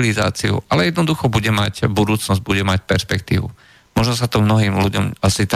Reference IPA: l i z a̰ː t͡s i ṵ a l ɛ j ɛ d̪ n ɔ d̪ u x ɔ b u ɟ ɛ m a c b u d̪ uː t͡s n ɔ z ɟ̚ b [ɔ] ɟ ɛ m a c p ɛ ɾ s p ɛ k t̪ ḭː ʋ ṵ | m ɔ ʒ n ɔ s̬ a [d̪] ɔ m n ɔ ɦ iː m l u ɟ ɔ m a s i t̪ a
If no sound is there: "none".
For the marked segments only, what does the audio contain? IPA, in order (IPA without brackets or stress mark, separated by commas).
u, t̪